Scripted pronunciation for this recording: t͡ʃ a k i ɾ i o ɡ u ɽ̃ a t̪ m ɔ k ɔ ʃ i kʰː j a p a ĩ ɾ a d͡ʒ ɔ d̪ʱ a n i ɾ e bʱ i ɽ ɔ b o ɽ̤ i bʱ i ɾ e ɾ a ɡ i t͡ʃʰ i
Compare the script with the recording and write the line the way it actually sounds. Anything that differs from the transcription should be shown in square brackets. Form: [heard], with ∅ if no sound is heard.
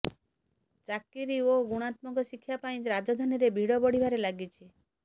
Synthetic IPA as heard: t͡ʃ a k i ɾ i o ɡ u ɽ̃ a t̪ m ɔ k ɔ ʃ i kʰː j a p a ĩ ɾ a d͡ʒ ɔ d̪ʱ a n i ɾ e bʱ i ɽ ɔ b [ɔ] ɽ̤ i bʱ [a] ɾ e [l] a ɡ i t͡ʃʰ i

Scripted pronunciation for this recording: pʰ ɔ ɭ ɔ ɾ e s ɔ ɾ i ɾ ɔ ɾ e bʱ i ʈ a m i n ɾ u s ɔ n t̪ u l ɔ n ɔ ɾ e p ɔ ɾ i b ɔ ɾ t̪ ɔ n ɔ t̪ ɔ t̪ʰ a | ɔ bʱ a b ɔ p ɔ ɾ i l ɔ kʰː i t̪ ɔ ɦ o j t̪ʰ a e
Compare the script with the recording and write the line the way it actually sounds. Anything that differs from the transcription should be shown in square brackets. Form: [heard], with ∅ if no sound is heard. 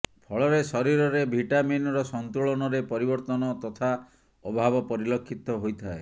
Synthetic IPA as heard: pʰ ɔ ɭ ɔ ɾ e s ɔ ɾ i ɾ ɔ ɾ e bʱ i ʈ a m i n ɾ [ɔ] s ɔ n t̪ u [ɭ] ɔ n ɔ ɾ e p ɔ ɾ i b ɔ ɾ t̪ ɔ n ɔ t̪ ɔ t̪ʰ a | ɔ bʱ a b ɔ p ɔ ɾ i l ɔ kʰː i t̪ ɔ ɦ o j t̪ʰ a e

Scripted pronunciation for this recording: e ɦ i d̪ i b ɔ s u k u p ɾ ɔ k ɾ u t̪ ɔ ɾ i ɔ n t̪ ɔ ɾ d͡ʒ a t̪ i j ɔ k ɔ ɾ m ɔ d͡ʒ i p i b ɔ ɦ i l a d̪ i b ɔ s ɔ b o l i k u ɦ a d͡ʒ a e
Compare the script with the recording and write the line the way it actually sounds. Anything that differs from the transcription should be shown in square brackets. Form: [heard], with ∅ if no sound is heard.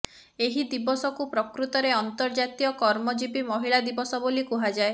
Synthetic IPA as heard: e ɦ i d̪ i b ɔ s [ɔ] k u p ɾ ɔ k ɾ u t̪ ɔ ɾ [e] ɔ n t̪ ɔ ɾ d͡ʒ a t̪ i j ɔ k ɔ ɾ m ɔ d͡ʒ i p i [m] ɔ ɦ i [ɭ] a d̪ i b ɔ s ɔ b o l i k u ɦ a d͡ʒ a e

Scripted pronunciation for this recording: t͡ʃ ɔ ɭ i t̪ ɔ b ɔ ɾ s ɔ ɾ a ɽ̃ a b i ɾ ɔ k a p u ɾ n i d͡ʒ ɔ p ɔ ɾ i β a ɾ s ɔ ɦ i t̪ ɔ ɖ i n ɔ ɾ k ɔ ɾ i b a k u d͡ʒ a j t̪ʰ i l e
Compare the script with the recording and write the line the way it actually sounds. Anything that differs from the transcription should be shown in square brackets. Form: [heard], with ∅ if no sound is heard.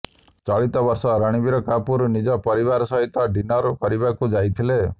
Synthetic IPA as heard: t͡ʃ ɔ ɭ i t̪ ɔ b ɔ ɾ s ɔ ɾ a ɽ̃ [i] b i ɾ ɔ k a p u ɾ n i d͡ʒ ɔ p ɔ ɾ i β a ɾ s ɔ ɦ i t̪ ɔ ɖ i n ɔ ɾ k ɔ ɾ i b a k u d͡ʒ a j t̪ʰ i l e

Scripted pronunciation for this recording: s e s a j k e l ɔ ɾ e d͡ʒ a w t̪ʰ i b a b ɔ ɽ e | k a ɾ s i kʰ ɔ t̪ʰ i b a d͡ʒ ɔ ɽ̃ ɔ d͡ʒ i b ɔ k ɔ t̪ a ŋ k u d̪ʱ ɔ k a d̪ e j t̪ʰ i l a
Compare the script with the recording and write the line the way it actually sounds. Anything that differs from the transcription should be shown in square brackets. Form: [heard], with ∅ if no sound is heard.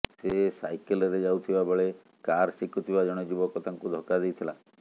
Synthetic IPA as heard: s e s a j k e l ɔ ɾ e d͡ʒ a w t̪ʰ i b a b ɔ [ɭ] e | k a ɾ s i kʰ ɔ t̪ʰ i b a d͡ʒ ɔ ɽ̃ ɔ d͡ʒ i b ɔ k ɔ t̪ a ŋ k u d̪ʱ ɔ k a d̪ e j t̪ʰ i l a

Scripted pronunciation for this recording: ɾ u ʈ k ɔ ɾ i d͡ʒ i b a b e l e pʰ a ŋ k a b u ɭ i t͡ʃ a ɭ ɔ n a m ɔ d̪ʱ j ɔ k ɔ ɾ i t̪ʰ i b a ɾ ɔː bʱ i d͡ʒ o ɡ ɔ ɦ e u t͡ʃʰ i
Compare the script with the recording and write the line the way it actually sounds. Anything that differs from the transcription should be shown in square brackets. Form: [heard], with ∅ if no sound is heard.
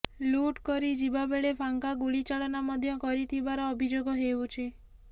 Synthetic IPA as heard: [l] u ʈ k ɔ ɾ i d͡ʒ i b a b e [ɭ] e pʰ a ŋ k a [ɡ] u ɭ i t͡ʃ a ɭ ɔ n a m ɔ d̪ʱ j ɔ k ɔ ɾ i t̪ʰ i b a ɾ ɔː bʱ i d͡ʒ o ɡ ɔ ɦ e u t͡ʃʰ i

